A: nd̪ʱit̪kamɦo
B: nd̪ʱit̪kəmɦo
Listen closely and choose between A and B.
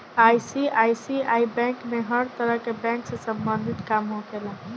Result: A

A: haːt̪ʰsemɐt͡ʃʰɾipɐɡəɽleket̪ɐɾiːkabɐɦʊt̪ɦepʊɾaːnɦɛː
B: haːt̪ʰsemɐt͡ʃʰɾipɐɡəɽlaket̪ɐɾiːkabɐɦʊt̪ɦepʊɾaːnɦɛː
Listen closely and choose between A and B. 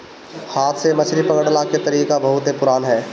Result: B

